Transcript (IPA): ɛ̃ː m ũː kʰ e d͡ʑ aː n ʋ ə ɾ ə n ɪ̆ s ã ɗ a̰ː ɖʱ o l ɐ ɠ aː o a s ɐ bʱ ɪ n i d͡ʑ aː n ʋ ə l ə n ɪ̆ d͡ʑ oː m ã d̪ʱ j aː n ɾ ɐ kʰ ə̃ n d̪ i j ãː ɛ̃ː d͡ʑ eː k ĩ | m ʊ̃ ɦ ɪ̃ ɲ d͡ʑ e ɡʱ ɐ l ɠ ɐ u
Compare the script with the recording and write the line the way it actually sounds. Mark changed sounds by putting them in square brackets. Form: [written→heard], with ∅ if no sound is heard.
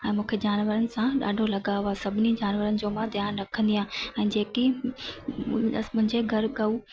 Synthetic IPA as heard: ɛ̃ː m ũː kʰ e d͡ʑ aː n ʋ ə ɾ ə n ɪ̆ s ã ɗ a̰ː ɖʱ o l ɐ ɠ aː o a s ɐ bʱ ɪ n i d͡ʑ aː n ʋ ə [l→ɾ] ə n ɪ̆ d͡ʑ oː m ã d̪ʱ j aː n ɾ ɐ kʰ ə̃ n d̪ i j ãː ɛ̃ː d͡ʑ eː k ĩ | m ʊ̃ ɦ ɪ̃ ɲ d͡ʑ e ɡʱ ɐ [l→ɾ] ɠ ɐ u

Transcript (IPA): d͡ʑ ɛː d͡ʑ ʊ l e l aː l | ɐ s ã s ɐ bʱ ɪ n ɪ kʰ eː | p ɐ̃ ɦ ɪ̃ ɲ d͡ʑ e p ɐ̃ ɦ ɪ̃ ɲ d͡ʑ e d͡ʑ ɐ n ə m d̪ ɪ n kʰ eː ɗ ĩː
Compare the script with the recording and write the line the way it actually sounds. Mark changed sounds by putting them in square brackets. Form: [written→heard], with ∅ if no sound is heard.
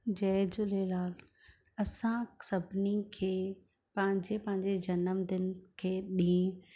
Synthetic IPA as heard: d͡ʑ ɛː d͡ʑ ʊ l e l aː l | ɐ s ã s ɐ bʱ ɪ n [ɪ→i] kʰ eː | p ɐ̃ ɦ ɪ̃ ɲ d͡ʑ e p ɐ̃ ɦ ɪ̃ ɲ d͡ʑ e d͡ʑ ɐ n ə m d̪ ɪ n kʰ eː ɗ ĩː

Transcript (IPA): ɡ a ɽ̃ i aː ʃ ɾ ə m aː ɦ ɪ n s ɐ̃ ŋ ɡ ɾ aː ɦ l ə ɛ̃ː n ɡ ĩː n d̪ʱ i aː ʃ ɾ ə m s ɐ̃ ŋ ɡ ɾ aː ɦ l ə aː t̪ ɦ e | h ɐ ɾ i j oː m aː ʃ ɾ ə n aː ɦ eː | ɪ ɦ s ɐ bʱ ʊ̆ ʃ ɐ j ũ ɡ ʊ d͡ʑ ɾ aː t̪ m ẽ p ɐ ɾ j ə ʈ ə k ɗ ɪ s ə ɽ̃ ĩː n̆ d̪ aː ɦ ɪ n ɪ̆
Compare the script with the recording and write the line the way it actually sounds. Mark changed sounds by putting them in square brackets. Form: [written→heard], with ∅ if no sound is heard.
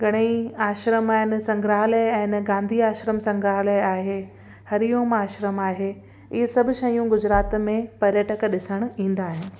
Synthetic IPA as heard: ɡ [a→ɐ] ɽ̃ i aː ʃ ɾ ə m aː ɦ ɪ n s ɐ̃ ŋ ɡ ɾ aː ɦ l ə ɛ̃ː n ɡ [ĩː→ãː] n d̪ʱ i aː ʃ ɾ ə m s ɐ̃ ŋ ɡ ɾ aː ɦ l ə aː [t̪→∅] ɦ e | h ɐ ɾ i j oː m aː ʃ ɾ ə [n→m] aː ɦ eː | ɪ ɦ s ɐ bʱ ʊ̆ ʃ ɐ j ũ ɡ ʊ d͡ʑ ɾ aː t̪ m ẽ p ɐ ɾ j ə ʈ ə k ɗ ɪ s ə ɽ̃ ĩː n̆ d̪ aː ɦ ɪ n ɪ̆

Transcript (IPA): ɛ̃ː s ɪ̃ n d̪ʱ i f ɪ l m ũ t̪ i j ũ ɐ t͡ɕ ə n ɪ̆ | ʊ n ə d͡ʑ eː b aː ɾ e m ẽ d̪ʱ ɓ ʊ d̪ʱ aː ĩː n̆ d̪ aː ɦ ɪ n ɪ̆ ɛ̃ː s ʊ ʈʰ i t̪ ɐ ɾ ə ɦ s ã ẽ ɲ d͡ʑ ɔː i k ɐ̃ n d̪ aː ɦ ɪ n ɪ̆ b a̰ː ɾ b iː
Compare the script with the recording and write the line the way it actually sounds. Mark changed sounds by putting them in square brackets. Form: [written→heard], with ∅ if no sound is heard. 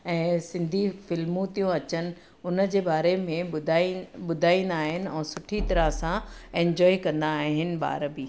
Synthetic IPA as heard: ɛ̃ː s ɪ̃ n d̪ʱ i f ɪ l m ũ t̪ i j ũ ɐ t͡ɕ ə n ɪ̆ | ʊ n ə d͡ʑ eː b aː ɾ e m ẽ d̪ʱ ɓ ʊ d̪ʱ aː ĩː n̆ d̪ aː ɦ ɪ n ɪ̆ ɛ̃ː s ʊ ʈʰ i t̪ ɐ ɾ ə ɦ s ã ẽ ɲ d͡ʑ ɔː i k ɐ̃ n d̪ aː ɦ ɪ n ɪ̆ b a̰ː ɾ b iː

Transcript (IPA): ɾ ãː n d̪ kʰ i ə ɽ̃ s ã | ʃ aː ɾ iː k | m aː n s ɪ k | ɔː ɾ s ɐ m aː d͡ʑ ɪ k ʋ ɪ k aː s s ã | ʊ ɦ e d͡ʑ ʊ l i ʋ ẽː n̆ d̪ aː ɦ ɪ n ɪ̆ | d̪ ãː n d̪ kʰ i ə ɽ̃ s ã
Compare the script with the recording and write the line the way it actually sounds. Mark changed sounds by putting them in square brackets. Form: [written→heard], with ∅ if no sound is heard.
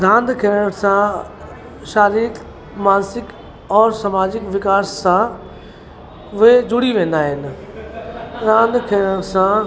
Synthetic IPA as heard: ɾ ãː n d̪ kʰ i ə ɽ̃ s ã | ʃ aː ɾ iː k | m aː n s ɪ k | ɔː ɾ s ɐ m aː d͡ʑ ɪ k ʋ ɪ k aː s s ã | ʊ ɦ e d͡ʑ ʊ [l→ɽ] i ʋ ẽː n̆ d̪ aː ɦ ɪ n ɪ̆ | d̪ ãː n d̪ kʰ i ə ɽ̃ s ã

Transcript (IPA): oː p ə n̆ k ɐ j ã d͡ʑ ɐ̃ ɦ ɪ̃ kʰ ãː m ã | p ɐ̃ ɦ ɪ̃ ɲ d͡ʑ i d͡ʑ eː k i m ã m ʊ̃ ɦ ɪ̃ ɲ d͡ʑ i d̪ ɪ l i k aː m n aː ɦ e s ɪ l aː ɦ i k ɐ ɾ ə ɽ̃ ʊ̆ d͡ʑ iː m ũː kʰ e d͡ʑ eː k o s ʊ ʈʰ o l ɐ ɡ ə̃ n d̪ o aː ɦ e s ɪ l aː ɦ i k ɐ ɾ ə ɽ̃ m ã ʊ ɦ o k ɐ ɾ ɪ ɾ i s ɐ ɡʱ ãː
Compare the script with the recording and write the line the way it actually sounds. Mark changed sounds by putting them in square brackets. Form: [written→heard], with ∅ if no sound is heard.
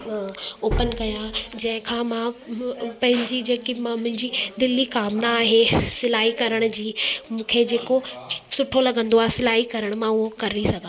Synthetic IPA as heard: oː p ə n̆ k ɐ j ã d͡ʑ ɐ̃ ɦ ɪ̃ kʰ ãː m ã | p ɐ̃ ɦ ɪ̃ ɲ d͡ʑ i d͡ʑ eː k i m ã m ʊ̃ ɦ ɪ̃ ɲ d͡ʑ i d̪ ɪ l i k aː m n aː ɦ e s ɪ l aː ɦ i k ɐ ɾ ə ɽ̃ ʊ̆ d͡ʑ iː m ũː kʰ e d͡ʑ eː k o s ʊ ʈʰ o l ɐ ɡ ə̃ n d̪ o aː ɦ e s ɪ l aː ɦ i k ɐ ɾ ə ɽ̃ m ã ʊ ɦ o k ɐ ɾ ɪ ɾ i s ɐ ɡʱ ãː

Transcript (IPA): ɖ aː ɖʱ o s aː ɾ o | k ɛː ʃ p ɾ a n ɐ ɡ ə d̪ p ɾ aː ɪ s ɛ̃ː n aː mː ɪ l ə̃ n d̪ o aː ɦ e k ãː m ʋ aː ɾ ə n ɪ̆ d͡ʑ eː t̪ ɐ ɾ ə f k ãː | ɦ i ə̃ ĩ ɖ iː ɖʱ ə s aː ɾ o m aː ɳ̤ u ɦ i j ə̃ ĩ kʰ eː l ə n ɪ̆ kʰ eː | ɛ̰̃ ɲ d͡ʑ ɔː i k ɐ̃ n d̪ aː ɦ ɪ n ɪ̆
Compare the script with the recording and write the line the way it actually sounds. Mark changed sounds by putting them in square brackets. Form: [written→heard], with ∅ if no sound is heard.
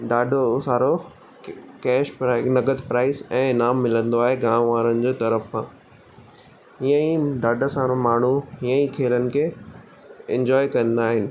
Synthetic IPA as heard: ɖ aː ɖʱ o s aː ɾ o | k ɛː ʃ p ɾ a n ɐ ɡ ə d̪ p ɾ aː ɪ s ɛ̃ː n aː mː ɪ l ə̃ n d̪ o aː ɦ e [k→ɡ] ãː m ʋ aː ɾ ə n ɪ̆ d͡ʑ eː t̪ ɐ ɾ ə f k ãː | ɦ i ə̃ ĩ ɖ [iː→aː] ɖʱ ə s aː ɾ o m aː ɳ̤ u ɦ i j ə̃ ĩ kʰ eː l ə n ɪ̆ kʰ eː | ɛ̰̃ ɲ d͡ʑ ɔː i k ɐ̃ n d̪ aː ɦ ɪ n ɪ̆

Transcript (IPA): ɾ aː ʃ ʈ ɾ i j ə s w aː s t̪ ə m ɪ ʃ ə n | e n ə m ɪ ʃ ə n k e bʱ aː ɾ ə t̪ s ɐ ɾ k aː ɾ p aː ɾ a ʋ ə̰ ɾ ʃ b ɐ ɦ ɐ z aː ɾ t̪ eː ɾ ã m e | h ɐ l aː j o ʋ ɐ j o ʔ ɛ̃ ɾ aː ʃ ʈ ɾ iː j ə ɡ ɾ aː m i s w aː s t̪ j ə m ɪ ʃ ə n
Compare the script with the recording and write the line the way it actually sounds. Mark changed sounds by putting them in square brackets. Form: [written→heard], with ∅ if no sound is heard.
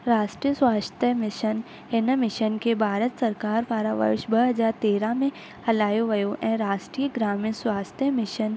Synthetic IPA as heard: ɾ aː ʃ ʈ ɾ i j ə s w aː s t̪ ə m ɪ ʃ ə n | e n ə m ɪ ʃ ə n k e bʱ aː ɾ ə t̪ s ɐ ɾ k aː ɾ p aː ɾ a ʋ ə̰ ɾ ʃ b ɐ ɦ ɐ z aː ɾ t̪ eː ɾ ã m [e→ẽ] | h ɐ l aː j o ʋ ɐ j o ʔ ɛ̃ ɾ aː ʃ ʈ ɾ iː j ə ɡ ɾ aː m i s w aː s t̪ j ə m ɪ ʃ ə n

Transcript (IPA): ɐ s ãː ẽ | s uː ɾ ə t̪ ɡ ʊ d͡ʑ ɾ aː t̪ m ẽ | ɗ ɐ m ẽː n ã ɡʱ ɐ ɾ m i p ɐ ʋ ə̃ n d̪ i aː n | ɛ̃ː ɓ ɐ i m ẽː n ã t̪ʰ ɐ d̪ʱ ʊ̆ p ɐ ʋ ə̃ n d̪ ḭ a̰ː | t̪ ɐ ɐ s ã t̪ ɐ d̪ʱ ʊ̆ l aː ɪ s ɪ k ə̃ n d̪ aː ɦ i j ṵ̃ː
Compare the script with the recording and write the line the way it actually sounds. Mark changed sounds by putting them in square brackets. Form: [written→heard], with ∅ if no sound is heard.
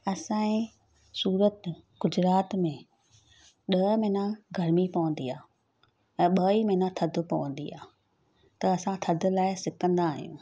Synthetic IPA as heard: ɐ s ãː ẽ | s uː ɾ ə t̪ ɡ ʊ d͡ʑ ɾ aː t̪ m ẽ | ɗ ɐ m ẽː n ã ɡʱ ɐ ɾ m i p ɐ ʋ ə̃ n d̪ i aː [n→∅] | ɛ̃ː ɓ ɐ i m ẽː n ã t̪ʰ ɐ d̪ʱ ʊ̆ p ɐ ʋ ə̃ n d̪ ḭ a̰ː | t̪ ɐ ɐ s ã [t̪→t̪ʰ] ɐ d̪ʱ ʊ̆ l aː ɪ s ɪ k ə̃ n d̪ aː ɦ i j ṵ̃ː

